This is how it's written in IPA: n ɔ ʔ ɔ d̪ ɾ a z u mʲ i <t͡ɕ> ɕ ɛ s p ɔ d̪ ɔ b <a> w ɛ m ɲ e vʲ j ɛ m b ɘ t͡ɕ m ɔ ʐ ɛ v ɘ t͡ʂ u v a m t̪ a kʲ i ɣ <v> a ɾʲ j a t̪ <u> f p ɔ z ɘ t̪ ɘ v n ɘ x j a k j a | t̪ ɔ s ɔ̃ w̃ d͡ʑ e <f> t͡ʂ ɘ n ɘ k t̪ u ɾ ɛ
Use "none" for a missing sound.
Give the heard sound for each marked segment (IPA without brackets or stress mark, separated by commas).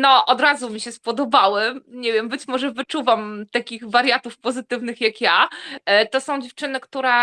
none, a, v, u, f